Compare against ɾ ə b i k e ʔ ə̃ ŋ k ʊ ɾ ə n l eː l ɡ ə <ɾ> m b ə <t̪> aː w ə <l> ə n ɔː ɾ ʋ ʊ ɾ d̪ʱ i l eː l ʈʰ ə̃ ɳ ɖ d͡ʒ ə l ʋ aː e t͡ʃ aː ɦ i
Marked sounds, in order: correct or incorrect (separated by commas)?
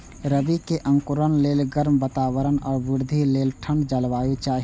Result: correct, correct, incorrect